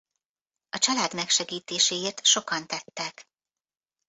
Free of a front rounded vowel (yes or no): yes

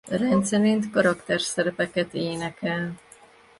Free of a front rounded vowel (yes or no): yes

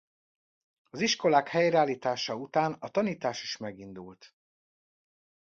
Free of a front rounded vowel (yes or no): yes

